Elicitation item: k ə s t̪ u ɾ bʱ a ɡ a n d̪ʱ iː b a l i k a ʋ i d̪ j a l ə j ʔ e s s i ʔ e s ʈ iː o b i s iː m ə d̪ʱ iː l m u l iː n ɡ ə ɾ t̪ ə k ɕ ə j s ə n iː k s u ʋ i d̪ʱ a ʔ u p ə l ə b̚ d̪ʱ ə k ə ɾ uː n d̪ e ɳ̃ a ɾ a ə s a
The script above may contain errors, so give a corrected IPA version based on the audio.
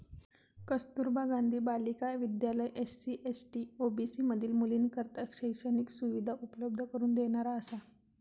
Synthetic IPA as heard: k ə s t̪ u ɾ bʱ a ɡ a n d̪ʱ iː b a l i k a ʋ i d̪ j a l ə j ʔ e s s i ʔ e s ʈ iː o b i s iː m ə d̪ʱ iː l m u l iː n k ə ɾ t̪ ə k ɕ ə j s ə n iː k s u ʋ i d̪ʱ a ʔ u p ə l ə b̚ d̪ʱ ə k ə ɾ uː n d̪ e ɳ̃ a ɾ a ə s a